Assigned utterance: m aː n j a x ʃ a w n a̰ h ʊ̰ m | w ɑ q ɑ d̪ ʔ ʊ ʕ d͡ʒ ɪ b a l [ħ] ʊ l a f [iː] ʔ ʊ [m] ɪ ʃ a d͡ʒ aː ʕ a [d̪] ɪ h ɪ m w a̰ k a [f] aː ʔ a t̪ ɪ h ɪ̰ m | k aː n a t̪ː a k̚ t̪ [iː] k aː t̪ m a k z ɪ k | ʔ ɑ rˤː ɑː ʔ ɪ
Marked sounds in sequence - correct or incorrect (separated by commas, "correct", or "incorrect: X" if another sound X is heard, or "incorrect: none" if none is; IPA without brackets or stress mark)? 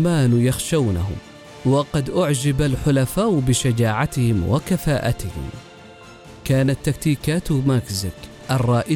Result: correct, incorrect: aː, incorrect: b, incorrect: t̪, correct, correct